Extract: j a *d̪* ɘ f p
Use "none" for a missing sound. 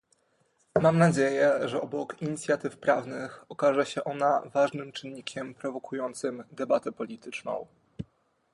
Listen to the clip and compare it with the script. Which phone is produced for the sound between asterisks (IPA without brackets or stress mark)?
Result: t̪